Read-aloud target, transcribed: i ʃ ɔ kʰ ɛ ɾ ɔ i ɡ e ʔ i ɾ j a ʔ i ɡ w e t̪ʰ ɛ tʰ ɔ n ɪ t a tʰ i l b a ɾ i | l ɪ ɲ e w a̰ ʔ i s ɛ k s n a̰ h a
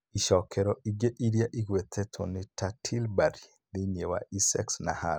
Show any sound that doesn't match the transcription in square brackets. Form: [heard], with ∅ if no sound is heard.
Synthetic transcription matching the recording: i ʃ ɔ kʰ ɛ ɾ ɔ i ɡ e ʔ i ɾ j a ʔ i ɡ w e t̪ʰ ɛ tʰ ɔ n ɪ t a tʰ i l b a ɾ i | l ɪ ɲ e w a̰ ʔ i s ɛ k s n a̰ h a